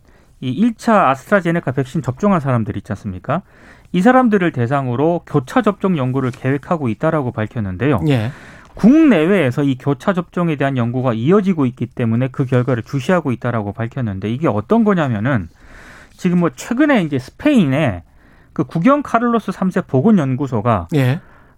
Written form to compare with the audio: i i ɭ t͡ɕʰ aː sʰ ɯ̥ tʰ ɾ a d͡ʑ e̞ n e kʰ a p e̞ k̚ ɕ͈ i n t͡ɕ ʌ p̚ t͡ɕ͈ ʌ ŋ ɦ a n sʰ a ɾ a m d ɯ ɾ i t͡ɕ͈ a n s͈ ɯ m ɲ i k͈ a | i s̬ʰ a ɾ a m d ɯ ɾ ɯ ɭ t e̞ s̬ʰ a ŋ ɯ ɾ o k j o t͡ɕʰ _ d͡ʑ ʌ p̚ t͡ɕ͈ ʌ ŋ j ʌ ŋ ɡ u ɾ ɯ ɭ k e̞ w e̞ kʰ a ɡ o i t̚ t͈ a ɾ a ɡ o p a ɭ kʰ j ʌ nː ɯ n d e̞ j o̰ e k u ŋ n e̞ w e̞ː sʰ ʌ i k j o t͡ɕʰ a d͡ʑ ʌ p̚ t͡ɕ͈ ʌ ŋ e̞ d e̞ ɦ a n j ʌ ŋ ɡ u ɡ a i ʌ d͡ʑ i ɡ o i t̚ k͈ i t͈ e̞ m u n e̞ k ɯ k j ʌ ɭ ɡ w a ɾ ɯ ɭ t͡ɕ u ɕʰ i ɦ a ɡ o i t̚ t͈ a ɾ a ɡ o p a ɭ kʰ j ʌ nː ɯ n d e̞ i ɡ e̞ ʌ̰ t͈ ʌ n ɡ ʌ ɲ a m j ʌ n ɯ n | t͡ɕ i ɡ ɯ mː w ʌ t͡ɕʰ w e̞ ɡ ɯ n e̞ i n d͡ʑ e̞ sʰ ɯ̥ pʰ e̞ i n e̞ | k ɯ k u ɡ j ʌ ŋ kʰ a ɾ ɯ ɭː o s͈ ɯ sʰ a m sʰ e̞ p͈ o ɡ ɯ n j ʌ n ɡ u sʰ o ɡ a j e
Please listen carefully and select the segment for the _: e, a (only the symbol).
a